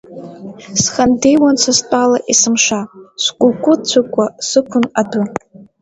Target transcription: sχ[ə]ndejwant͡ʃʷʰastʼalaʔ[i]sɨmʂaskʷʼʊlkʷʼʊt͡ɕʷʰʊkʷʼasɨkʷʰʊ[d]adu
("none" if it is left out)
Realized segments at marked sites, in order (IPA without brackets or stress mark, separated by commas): a, i, n